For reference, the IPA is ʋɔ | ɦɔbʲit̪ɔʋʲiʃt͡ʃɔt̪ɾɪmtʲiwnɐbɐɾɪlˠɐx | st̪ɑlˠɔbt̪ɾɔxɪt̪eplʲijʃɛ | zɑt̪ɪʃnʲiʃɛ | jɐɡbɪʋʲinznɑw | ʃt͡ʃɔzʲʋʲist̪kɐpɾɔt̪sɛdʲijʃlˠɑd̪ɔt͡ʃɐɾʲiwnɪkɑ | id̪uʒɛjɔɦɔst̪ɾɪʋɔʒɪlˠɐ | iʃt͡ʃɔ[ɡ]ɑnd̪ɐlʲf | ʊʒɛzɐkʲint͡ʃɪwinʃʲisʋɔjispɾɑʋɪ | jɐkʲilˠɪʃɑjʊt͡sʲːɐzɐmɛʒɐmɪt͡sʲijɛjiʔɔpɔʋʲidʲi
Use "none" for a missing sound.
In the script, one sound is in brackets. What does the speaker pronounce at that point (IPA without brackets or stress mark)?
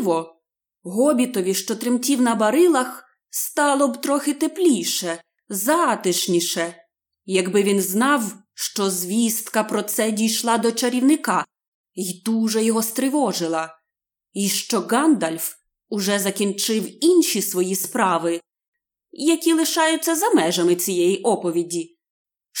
ɡ